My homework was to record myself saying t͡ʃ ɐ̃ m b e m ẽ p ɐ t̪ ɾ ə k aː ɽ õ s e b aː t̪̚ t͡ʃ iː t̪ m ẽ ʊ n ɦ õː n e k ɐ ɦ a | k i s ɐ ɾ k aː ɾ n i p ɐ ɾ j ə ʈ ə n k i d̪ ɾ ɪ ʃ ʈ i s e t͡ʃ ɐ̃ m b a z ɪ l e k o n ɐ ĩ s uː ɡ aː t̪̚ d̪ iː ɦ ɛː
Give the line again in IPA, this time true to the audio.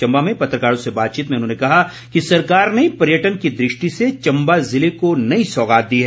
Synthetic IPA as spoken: t͡ʃ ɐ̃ m b a m ẽ p ɐ t̪ ɾ ə k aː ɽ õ s e b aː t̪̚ t͡ʃ iː t̪ m ẽ ʊ n ɦ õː n e k ɐ ɦ a | k i s ɐ ɾ k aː ɾ n e p ɐ ɾ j ə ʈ ə n k i d̪ ɾ ɪ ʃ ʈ i s e t͡ʃ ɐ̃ m b a z ɪ l e k o n ɐ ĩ s ɔː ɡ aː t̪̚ d̪ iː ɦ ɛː